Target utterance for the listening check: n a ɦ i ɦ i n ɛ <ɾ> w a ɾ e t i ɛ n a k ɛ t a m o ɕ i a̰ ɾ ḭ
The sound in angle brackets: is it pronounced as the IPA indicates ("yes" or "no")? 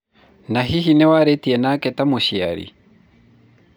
no